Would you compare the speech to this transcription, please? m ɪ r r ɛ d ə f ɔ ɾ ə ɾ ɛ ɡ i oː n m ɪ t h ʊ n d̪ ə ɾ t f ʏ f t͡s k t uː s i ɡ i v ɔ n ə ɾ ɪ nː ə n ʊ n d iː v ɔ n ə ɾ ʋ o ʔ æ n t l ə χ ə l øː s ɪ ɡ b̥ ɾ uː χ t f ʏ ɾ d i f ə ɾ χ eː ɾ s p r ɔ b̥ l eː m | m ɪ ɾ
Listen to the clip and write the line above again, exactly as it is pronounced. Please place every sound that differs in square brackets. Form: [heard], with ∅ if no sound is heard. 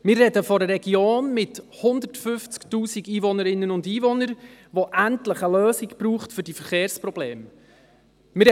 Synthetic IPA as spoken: m ɪ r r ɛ d ə f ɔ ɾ ə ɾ ɛ ɡ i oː n m ɪ t h ʊ n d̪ ə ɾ t f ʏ f t͡s k t uː s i ɡ [iː] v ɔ n ə ɾ ɪ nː ə n ʊ n d iː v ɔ n ə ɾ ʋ o ʔ æ n t l ə χ ə l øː s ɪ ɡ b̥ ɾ uː χ t f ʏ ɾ d i f ə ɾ χ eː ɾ s p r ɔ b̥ l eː m | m ɪ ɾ